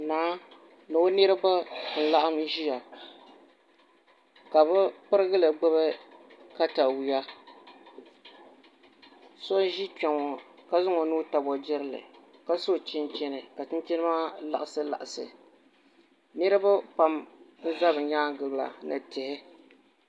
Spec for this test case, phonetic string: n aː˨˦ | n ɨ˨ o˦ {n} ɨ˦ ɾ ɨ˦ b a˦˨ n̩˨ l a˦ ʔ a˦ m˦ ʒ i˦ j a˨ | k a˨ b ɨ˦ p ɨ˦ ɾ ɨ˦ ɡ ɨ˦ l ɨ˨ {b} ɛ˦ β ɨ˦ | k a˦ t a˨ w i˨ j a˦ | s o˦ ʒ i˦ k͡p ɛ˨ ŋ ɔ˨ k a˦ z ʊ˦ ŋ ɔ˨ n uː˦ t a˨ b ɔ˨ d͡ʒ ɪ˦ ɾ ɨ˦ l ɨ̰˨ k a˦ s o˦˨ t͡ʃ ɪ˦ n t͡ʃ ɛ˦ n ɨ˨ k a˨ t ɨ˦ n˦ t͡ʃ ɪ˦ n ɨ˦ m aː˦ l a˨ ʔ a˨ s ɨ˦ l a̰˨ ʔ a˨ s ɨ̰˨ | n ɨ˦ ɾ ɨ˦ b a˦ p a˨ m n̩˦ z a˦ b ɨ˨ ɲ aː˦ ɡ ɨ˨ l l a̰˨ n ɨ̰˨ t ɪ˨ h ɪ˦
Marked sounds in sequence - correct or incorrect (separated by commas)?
correct, incorrect